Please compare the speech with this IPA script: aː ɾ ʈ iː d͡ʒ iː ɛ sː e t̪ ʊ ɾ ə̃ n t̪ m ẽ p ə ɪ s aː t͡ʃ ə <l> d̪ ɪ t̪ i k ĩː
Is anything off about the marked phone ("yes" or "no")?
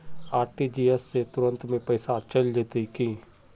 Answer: no